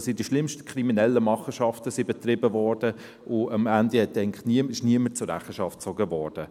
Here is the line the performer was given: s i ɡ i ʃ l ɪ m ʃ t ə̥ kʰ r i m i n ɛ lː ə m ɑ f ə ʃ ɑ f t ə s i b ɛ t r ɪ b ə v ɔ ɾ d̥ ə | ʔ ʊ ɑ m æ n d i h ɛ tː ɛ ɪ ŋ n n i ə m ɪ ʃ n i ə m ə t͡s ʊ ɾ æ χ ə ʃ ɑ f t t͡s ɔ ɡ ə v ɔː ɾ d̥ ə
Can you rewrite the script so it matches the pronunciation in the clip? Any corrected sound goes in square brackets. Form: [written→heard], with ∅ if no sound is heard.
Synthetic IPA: s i [ɡ→d] i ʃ l ɪ m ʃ t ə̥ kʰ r i m i n ɛ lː ə m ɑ [f→χ] ə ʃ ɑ f t ə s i b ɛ t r ɪ b ə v ɔ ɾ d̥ ə | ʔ ʊ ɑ m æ n d i h ɛ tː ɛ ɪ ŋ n n i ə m ɪ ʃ n i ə m ə t͡s ʊ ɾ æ χ ə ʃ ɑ f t t͡s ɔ ɡ ə v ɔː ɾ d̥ ə